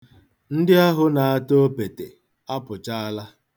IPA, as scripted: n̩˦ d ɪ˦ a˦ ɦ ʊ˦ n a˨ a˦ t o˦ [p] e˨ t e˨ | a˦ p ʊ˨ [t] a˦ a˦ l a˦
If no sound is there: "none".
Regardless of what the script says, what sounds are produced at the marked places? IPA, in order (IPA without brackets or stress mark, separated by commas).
p, t͡ʃ